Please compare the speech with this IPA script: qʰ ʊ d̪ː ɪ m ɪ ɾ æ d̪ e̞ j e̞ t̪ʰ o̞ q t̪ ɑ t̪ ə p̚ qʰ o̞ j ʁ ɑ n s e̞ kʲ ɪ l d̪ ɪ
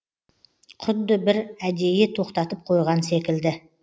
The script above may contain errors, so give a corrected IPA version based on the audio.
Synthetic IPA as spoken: qʰ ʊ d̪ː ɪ b ɪ ɾ æ d̪ e̞ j e̞ t̪ʰ o̞ q t̪ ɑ t̪ ə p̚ qʰ o̞ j ʁ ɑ n s e̞ kʲ ɪ l d̪ ɪ